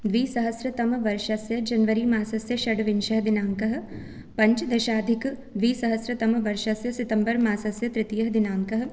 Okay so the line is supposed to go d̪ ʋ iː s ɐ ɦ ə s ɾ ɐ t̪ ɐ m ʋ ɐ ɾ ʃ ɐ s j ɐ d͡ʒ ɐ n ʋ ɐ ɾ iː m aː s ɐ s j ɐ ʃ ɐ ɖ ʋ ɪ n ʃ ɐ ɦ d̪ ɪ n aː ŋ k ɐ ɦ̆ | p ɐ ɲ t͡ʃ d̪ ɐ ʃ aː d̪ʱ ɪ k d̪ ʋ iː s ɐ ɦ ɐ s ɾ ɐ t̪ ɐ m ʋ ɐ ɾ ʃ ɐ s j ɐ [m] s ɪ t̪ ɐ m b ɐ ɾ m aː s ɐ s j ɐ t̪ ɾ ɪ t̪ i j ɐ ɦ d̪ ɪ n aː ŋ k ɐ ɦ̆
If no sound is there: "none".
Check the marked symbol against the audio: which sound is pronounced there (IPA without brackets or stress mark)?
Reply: none